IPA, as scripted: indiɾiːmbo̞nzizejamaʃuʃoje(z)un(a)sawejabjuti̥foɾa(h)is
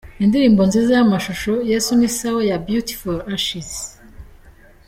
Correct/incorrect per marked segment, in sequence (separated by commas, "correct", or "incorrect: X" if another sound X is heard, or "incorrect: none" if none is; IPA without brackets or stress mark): incorrect: s, incorrect: i, incorrect: ʃ